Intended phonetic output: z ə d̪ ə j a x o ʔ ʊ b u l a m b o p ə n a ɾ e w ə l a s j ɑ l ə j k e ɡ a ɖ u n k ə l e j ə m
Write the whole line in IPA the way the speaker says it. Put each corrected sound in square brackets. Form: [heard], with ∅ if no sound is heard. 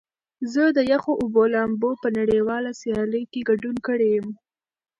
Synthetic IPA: z ə d̪ ə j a x o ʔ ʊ b [o] l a m b o p ə n a [ɽ] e w [ɑ] l a s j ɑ l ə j k e ɡ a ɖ u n k ə [ɽ] e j ə m